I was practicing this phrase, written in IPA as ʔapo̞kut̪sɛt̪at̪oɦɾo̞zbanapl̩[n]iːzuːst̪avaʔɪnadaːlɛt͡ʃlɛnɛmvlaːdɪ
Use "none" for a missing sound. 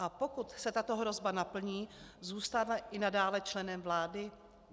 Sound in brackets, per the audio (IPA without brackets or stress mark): ɲ